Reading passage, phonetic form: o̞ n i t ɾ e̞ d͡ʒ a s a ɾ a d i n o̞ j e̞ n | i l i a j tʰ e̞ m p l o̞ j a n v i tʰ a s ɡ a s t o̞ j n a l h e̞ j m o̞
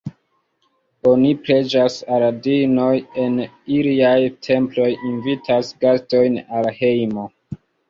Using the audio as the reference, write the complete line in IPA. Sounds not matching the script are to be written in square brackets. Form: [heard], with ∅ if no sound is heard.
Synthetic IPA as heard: o̞ n i [p] ɾ e̞ d͡ʒ a s a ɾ a d i n o̞ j e̞ n | i l i a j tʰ e̞ m p l o̞ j [i] n v i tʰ a s ɡ a s t o̞ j n a l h e̞ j m o̞